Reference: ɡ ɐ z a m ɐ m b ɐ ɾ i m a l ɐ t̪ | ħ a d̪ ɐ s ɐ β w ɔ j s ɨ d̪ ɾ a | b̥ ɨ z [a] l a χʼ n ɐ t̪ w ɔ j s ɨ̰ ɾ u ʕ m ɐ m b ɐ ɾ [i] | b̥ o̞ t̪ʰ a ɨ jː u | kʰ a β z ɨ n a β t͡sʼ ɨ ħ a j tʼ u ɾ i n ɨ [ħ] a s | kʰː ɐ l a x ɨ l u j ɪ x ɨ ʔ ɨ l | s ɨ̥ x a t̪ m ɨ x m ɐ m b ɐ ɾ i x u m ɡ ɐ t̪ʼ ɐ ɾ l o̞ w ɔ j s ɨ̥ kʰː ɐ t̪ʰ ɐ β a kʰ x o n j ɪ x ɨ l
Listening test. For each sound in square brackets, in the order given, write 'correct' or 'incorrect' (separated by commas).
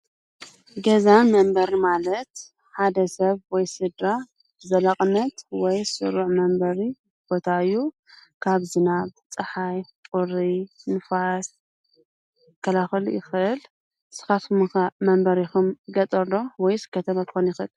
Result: incorrect, correct, incorrect